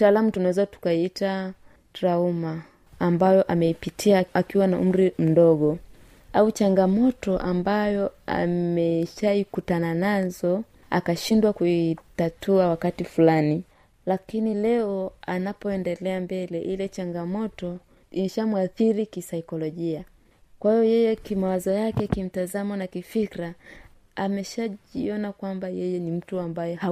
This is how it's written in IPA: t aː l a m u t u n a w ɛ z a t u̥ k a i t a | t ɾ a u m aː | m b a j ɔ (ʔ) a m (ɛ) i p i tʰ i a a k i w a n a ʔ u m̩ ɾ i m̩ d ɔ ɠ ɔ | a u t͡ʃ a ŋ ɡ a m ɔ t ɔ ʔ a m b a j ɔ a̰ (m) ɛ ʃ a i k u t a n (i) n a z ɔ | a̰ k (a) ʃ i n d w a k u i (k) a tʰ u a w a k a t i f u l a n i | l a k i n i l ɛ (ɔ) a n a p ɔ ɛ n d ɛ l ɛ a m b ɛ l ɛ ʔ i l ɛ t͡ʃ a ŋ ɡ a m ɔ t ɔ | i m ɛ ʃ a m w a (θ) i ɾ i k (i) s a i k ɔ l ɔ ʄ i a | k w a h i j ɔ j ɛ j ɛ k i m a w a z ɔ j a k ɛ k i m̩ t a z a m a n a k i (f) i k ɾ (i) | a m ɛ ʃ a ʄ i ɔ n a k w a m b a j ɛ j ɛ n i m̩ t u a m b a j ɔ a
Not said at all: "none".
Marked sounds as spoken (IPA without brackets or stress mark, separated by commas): ʔ, ɛ, m, a, a, t, ɔ, θ, i, f, a